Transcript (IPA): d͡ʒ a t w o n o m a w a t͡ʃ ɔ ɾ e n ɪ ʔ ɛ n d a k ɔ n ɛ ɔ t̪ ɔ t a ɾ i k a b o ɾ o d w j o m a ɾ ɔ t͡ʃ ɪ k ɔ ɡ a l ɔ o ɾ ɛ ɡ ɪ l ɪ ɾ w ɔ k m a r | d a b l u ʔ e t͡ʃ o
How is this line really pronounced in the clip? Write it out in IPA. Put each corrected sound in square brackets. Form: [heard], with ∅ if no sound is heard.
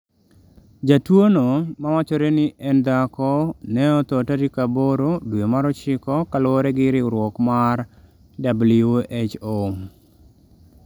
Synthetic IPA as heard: d͡ʒ a t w o n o m a w a t͡ʃ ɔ ɾ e n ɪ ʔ ɛ n d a k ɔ n ɛ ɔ t̪ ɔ t a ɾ i k a b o ɾ o d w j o m a ɾ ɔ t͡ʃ ɪ k ɔ [k] a l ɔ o ɾ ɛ ɡ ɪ [ɾ] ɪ ɾ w ɔ k m a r | d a b l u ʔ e t͡ʃ o